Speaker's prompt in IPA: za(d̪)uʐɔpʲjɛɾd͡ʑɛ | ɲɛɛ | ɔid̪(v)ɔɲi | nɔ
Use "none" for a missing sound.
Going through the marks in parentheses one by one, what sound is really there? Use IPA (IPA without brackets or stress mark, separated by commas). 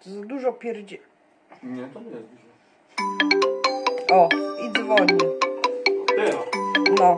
d̪, v